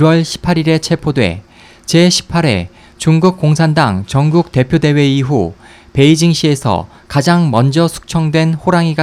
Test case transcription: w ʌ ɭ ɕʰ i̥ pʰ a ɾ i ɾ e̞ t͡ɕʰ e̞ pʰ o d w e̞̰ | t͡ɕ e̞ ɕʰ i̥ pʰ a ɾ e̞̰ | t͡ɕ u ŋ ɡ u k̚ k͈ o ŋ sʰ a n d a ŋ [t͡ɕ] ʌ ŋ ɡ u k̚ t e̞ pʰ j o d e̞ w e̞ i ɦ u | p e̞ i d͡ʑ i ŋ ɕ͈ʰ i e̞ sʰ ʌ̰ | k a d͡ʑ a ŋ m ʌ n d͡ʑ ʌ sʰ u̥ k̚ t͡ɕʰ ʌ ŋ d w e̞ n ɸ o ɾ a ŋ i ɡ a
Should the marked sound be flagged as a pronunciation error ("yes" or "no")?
no